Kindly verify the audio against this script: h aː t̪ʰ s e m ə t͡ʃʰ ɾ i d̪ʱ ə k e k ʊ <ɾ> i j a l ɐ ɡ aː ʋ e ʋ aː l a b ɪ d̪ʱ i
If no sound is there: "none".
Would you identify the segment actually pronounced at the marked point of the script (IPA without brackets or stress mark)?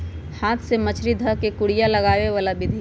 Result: ɽ